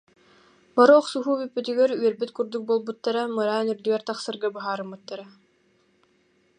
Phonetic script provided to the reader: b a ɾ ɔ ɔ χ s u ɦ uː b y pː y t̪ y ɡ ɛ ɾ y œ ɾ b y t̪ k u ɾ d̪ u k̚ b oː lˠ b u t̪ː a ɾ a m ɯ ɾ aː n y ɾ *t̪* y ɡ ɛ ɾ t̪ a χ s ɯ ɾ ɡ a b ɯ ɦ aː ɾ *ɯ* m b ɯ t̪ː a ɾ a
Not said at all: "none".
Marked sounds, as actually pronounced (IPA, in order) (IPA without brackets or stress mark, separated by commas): d̪, ɯ